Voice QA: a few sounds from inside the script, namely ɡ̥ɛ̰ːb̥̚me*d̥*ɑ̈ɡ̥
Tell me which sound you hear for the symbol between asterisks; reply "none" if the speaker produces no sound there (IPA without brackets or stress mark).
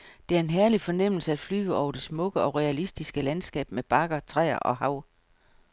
b̥